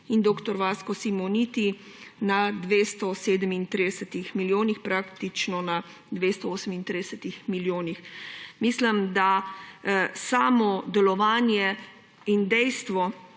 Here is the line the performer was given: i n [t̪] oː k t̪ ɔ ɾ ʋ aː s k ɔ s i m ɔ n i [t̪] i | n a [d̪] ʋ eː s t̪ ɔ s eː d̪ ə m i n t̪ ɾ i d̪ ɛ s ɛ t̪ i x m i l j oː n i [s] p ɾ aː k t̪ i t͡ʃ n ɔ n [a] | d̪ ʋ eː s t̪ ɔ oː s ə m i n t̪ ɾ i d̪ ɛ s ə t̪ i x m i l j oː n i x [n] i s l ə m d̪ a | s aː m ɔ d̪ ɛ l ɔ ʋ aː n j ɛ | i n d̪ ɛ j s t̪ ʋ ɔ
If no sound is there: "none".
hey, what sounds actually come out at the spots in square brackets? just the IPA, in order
d̪, t̪, d̪, x, a, m

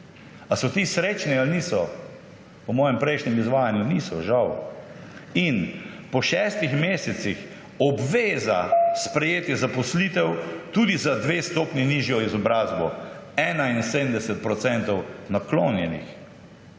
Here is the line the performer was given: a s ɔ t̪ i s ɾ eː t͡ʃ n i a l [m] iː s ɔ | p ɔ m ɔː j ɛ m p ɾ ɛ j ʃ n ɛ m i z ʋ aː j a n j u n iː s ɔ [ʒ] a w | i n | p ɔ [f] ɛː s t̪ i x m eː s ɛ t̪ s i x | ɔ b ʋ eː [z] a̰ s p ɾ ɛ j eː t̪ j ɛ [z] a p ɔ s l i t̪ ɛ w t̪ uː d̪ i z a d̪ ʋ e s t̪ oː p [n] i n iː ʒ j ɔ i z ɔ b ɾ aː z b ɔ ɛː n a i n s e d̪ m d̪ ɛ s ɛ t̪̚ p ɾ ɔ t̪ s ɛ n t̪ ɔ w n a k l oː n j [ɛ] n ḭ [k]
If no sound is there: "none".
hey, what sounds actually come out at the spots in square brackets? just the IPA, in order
n, ʒ, ʃ, z, z, n, ɛ, x

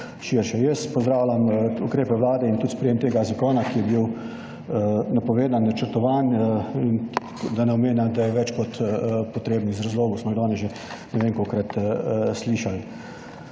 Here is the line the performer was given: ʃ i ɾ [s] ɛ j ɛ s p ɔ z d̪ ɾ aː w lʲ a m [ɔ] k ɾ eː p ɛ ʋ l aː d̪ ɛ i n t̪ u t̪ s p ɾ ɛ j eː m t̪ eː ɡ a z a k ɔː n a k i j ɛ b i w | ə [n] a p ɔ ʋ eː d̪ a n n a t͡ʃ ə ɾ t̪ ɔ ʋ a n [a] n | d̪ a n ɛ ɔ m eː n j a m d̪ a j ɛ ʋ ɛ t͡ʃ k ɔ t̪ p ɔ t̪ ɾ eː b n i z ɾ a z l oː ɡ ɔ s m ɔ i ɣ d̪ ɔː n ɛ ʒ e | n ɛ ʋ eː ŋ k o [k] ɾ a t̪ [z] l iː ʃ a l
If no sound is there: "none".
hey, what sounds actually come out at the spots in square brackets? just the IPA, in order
ʃ, u, n, i, k, s

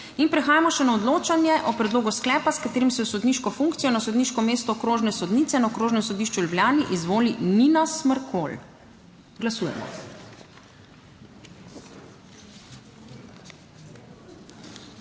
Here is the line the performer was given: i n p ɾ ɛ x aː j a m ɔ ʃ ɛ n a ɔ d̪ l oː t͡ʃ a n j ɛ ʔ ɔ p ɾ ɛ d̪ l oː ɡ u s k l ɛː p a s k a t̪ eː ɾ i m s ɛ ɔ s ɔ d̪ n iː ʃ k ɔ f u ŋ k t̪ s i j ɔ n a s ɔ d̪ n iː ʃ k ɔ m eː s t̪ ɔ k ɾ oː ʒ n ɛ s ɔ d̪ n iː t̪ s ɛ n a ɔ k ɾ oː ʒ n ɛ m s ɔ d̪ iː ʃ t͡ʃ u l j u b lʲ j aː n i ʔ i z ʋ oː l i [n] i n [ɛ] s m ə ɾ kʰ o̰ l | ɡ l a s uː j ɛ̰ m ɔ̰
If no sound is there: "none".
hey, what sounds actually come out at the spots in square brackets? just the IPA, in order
n, a

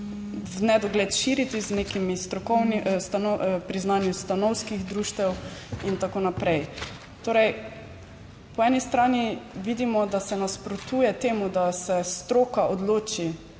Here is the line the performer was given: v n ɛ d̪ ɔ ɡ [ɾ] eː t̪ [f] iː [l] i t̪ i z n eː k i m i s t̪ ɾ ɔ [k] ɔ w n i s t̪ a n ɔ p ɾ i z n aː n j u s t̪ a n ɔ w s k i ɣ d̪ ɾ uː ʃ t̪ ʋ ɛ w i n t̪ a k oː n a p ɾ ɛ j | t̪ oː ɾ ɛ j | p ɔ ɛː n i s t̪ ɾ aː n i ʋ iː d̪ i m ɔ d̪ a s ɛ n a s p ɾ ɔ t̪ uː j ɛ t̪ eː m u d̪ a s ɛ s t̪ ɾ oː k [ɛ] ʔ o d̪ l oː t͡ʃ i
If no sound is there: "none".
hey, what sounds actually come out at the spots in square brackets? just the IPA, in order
l, ʃ, ɾ, k, a

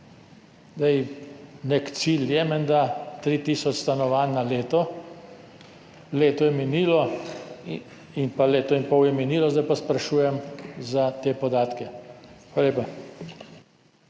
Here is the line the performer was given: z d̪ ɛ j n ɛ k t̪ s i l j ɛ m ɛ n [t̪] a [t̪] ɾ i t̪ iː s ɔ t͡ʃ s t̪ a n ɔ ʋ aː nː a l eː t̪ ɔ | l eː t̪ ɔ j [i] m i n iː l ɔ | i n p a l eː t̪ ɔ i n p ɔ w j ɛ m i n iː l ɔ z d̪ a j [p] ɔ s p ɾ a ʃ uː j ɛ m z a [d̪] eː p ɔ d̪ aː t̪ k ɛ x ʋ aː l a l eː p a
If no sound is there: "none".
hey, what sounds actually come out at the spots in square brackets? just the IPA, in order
d̪, t̪, ɛ, p, t̪

